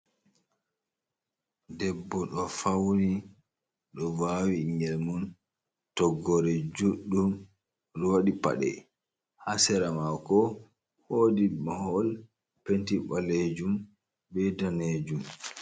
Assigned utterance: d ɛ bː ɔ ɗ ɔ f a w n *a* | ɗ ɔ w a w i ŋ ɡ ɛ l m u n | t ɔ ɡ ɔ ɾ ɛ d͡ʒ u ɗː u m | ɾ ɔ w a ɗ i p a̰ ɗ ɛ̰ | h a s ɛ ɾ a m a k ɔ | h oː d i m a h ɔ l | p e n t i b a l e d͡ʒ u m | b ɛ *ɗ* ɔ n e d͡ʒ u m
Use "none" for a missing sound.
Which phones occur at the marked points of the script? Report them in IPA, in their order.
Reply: i, d

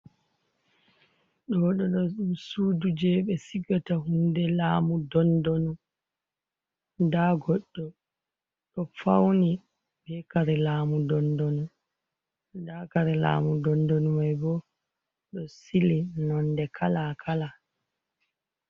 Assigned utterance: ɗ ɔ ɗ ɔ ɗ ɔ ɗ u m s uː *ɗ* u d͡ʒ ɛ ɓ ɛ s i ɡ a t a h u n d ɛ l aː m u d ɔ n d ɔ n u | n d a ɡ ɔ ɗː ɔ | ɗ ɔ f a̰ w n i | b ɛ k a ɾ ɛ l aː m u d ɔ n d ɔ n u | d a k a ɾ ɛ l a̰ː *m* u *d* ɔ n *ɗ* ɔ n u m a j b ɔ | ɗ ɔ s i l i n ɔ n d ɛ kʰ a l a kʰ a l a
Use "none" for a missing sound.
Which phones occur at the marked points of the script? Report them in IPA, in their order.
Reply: d, m, d, d

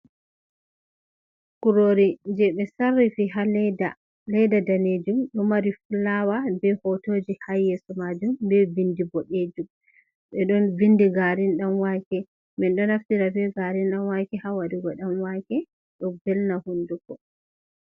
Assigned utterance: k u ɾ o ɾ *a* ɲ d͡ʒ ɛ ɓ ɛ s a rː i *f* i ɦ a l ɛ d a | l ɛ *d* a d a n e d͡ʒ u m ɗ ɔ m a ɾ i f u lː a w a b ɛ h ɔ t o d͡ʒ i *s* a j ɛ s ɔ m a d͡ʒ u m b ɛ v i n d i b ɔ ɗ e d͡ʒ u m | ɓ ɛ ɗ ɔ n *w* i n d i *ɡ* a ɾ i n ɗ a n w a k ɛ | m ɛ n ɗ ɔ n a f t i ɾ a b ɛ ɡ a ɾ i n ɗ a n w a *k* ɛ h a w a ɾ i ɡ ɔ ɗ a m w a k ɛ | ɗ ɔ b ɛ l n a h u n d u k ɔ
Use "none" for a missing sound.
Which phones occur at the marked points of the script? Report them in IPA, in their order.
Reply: i, f, d, h, v, ɡ, k

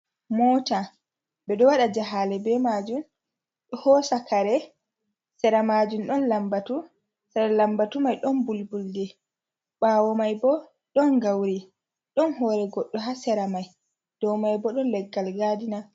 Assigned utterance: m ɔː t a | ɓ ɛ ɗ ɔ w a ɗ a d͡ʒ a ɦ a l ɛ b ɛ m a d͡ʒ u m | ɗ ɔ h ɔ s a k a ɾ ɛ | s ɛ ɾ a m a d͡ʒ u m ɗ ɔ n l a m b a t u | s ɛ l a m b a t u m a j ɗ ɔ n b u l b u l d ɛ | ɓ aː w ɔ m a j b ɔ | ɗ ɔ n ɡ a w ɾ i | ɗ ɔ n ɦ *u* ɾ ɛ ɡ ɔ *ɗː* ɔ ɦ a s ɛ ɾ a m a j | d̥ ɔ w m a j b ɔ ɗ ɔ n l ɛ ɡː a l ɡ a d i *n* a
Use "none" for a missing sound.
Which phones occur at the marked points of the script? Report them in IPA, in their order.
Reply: ɔ, ɗː, n

